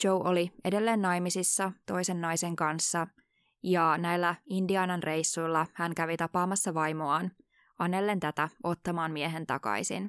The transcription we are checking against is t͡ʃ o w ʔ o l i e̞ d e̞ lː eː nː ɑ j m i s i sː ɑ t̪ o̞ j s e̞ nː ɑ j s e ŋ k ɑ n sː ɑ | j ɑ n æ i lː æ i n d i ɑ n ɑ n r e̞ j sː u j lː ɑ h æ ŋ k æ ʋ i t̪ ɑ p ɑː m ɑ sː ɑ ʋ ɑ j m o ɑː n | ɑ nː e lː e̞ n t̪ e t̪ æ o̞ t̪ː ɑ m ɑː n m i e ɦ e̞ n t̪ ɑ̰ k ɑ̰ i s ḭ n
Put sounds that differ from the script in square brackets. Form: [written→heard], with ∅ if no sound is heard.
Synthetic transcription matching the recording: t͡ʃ o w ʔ o l i e̞ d e̞ lː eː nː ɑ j m i s i sː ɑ t̪ o̞ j s e̞ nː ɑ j s e ŋ k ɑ n sː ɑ | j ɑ n æ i lː æ i n d i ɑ n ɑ n r e̞ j sː u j lː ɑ h æ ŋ k æ ʋ i t̪ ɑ p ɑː m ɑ sː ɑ ʋ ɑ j m o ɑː n | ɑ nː e lː e̞ n t̪ [e→æ] t̪ æ o̞ t̪ː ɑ m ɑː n m i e ɦ e̞ n t̪ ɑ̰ k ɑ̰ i s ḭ n